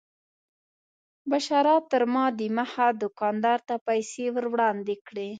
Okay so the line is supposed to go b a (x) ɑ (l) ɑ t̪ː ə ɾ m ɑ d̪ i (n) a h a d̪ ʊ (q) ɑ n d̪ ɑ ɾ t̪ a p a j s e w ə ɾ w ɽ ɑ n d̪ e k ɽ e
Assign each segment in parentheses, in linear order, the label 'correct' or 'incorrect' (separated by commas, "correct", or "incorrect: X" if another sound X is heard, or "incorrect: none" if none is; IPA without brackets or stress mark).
incorrect: ʃ, incorrect: ɾ, incorrect: m, incorrect: k